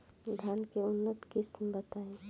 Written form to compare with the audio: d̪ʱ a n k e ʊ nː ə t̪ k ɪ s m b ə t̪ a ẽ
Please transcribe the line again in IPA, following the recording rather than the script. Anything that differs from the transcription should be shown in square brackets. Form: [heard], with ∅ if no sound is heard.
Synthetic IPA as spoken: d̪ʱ a n k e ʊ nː ə t̪ k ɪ s m b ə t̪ a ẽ